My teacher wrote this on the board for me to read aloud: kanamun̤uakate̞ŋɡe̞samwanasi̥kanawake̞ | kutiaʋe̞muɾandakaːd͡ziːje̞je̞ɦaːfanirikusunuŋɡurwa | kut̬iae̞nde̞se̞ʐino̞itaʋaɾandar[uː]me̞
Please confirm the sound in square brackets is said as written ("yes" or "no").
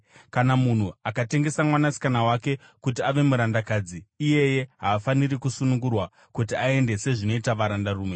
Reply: yes